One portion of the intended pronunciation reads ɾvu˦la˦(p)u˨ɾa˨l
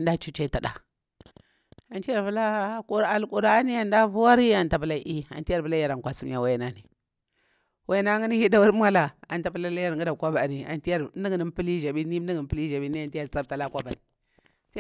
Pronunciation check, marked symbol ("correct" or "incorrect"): incorrect